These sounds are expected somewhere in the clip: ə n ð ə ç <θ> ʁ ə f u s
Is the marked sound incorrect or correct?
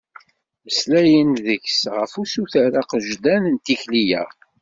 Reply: incorrect: s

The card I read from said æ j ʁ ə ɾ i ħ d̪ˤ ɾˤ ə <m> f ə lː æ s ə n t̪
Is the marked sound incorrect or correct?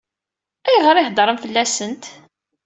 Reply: correct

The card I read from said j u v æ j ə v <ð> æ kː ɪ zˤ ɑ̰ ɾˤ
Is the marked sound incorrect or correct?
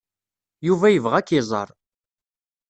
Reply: incorrect: ʁ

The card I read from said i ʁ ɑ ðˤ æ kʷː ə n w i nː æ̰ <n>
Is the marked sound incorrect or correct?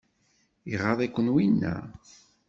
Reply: incorrect: none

